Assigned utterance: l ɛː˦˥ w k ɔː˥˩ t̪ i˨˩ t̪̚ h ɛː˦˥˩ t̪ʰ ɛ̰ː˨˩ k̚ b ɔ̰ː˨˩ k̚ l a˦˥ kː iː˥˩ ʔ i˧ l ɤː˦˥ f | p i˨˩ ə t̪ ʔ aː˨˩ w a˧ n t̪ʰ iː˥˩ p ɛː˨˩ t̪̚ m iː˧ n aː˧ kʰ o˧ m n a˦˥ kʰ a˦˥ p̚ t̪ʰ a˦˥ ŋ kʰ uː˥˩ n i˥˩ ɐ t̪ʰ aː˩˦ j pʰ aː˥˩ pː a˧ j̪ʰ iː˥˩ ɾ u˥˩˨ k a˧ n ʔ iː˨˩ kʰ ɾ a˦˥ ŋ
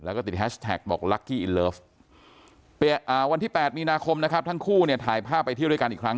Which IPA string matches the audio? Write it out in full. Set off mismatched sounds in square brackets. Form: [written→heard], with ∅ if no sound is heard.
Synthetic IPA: l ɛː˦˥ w k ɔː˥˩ t̪ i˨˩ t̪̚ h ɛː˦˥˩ t̪ʰ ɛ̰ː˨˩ k̚ b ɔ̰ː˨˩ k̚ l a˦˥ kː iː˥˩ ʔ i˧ l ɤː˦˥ f | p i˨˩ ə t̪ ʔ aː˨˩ w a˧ n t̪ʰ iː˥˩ p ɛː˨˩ t̪̚ m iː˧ n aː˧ kʰ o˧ m n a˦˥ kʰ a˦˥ p̚ t̪ʰ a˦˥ ŋ kʰ uː˥˩ n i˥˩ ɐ t̪ʰ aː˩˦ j pʰ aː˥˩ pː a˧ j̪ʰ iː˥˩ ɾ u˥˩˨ k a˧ n ʔ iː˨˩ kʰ ɾ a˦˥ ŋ